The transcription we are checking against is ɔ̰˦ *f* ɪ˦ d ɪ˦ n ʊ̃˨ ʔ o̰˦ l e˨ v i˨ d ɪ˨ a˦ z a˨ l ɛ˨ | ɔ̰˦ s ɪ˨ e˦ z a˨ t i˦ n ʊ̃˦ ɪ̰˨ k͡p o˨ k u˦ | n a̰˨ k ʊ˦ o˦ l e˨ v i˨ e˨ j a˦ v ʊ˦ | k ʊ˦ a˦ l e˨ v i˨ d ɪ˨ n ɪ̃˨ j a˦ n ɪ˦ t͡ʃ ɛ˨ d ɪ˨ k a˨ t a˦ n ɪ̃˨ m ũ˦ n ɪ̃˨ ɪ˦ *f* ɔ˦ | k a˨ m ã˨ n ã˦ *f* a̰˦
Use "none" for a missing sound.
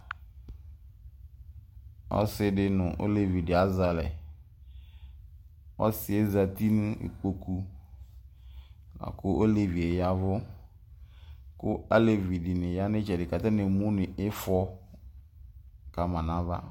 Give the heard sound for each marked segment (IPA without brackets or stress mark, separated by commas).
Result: s, f, v